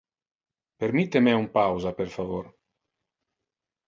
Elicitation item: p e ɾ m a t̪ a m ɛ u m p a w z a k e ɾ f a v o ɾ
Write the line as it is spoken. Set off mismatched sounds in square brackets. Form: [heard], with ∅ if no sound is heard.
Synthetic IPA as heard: p e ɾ m [i] t̪ [e] m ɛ u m p a w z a [p] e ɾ f a v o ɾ